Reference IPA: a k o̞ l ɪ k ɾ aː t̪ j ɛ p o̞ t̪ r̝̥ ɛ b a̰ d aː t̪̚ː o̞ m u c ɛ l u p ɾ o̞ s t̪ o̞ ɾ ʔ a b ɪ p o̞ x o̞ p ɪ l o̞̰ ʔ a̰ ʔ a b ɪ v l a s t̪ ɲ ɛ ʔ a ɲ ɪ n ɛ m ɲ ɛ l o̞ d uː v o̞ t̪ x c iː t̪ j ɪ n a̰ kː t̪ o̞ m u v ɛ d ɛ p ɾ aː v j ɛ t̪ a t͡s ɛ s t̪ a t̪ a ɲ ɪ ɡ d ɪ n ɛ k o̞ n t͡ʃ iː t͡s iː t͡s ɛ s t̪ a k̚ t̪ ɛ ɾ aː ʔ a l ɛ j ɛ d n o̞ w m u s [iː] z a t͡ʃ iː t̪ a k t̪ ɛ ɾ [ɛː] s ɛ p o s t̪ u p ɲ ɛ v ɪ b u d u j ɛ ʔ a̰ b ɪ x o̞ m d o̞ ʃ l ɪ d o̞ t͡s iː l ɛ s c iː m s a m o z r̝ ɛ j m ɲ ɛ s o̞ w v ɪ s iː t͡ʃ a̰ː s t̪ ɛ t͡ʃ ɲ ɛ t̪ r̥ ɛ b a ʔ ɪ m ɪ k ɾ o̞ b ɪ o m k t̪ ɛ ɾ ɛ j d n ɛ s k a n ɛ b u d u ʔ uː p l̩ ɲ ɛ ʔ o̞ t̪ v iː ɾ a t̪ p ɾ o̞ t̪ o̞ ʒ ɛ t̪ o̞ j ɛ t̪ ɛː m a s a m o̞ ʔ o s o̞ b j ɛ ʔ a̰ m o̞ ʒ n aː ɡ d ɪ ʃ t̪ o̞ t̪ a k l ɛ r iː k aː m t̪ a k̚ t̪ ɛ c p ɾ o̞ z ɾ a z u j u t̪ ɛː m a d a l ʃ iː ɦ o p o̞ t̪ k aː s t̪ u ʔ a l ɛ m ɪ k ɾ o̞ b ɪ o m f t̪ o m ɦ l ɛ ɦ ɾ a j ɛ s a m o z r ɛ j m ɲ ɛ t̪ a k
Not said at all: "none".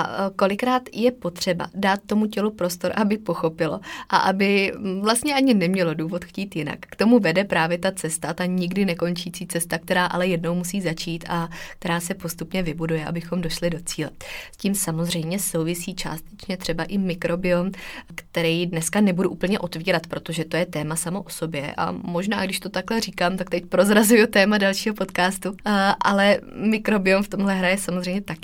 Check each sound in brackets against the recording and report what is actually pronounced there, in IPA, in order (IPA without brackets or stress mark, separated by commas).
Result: iː, aː